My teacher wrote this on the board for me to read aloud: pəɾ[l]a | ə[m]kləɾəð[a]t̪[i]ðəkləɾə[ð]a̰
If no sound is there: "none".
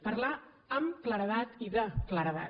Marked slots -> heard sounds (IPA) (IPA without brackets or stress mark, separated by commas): l, m, a, i, ð